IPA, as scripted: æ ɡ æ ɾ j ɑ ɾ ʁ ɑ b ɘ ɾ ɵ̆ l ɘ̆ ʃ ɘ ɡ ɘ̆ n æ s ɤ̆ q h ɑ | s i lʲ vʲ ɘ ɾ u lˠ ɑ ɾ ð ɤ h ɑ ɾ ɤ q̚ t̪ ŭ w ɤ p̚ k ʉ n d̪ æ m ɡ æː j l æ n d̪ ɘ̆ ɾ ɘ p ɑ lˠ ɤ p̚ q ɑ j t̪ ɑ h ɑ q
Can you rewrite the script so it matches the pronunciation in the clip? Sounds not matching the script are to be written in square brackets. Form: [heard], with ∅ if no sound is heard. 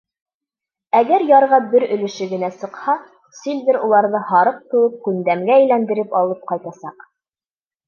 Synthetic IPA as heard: æ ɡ æ ɾ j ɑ ɾ ʁ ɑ b ɘ ɾ ɵ̆ l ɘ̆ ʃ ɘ ɡ ɘ̆ n æ s ɤ̆ q h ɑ | s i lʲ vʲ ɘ ɾ u lˠ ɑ ɾ ð ɤ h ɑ ɾ ɤ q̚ t̪ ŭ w ɤ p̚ k ʉ n d̪ æ m ɡ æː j l æ n d̪ ɘ̆ ɾ ɘ p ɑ lˠ ɤ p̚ q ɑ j t̪ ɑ [s] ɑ q